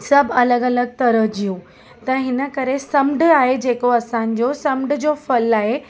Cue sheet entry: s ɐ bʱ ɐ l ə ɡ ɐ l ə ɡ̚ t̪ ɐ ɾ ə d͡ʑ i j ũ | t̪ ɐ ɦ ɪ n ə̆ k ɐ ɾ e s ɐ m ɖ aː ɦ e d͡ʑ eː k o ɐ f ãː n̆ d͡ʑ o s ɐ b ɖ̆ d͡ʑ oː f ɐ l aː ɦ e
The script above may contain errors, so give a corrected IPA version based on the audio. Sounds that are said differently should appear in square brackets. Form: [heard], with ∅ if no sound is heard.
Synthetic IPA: s ɐ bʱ ɐ l ə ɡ ɐ l ə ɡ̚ t̪ ɐ ɾ ə d͡ʑ i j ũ | t̪ ɐ ɦ ɪ n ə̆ k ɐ ɾ e s ɐ m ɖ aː ɦ e d͡ʑ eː k o ɐ [s] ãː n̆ d͡ʑ o s ɐ [m] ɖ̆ d͡ʑ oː f ɐ l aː ɦ e